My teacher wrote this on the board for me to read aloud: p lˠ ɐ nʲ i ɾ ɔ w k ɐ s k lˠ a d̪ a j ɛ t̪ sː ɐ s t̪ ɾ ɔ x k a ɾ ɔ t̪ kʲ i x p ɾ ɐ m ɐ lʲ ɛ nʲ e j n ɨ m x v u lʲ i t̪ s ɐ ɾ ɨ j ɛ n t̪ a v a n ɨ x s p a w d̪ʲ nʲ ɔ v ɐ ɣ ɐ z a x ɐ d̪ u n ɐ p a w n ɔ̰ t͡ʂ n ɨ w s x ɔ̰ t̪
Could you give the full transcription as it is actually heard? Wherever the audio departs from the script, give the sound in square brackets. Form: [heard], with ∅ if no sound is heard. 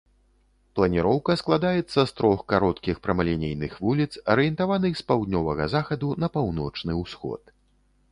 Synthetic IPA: p lˠ ɐ nʲ i ɾ ɔ w k ɐ s k lˠ a d̪ a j ɛ t̪ sː ɐ s t̪ ɾ ɔ x k a ɾ ɔ t̪ kʲ i x p ɾ ɐ m ɐ lʲ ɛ nʲ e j n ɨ [∅] x v u lʲ i t̪ s ɐ ɾ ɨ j ɛ n t̪ a v a n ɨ x s p a w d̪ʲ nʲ ɔ v ɐ ɣ ɐ z a x ɐ d̪ u n ɐ p a w n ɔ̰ t͡ʂ n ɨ w s x ɔ̰ t̪